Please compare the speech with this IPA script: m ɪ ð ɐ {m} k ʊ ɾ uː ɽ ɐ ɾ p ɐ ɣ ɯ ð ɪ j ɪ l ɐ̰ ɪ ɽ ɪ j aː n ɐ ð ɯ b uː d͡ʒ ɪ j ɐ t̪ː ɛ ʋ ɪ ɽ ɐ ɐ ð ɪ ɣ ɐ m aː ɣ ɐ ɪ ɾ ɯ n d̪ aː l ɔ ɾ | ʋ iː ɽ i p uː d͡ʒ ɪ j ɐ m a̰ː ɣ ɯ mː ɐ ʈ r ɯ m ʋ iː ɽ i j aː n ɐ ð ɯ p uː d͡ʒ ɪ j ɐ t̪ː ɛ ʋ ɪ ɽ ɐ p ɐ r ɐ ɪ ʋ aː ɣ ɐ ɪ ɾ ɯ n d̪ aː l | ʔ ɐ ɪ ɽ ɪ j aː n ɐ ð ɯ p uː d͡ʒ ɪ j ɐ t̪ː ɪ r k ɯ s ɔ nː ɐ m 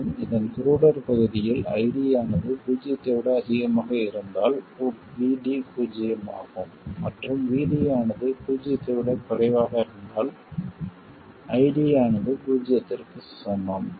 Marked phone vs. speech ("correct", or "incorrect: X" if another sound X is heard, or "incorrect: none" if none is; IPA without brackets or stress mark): incorrect: n